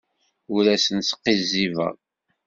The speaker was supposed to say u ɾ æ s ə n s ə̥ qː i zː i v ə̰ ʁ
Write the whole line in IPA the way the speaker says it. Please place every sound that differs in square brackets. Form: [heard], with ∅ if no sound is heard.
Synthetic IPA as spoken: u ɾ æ s ə n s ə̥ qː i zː i v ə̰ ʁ